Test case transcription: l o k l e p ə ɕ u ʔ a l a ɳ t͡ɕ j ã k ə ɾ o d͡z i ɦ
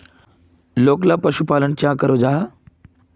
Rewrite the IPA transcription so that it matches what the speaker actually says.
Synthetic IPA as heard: l o k l a p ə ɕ u p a l ə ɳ t͡ɕ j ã k ə ɾ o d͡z a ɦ